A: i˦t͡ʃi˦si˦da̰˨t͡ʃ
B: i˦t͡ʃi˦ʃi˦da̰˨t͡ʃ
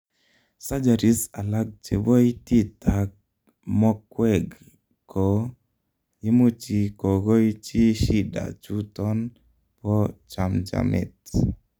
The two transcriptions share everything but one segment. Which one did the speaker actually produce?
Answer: B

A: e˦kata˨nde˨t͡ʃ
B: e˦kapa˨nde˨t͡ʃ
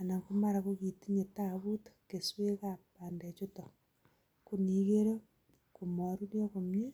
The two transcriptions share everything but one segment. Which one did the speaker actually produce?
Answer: B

